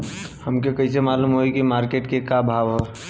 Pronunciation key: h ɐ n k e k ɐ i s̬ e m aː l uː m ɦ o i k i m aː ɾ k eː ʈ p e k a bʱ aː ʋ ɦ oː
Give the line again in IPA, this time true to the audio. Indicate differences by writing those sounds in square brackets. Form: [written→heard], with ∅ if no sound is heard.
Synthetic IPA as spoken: h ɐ [n→m] k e k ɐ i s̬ e m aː l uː m ɦ o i k i m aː ɾ k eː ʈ [p→k] e k a bʱ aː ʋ ɦ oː